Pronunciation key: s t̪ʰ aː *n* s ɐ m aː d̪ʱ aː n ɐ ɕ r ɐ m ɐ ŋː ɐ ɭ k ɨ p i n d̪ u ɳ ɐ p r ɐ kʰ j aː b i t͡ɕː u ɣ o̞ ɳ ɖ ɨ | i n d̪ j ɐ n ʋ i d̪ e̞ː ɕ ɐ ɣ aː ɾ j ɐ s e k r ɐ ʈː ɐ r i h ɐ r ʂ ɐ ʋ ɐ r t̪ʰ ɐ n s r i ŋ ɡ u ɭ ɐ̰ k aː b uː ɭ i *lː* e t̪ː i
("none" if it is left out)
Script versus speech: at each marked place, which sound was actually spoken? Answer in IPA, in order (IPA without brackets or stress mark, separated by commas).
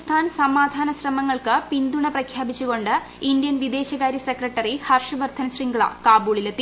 n, l